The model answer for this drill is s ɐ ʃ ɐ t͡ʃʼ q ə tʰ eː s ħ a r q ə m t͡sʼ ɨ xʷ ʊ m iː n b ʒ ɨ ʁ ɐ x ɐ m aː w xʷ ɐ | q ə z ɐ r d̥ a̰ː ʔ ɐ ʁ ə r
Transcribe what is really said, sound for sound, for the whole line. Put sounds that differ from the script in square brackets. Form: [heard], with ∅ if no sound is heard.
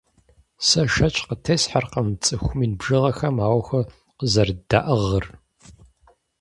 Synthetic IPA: s ɐ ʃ ɐ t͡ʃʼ q ə tʰ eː s ħ a r q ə m t͡sʼ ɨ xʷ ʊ m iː n b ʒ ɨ ʁ ɐ x ɐ m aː w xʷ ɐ | q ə z ɐ r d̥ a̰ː ʔ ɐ ʁ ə r